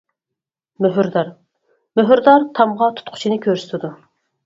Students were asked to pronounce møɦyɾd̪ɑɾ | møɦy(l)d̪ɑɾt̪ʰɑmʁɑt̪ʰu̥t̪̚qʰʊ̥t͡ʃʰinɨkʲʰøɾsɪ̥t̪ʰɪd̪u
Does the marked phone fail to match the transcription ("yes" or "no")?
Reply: yes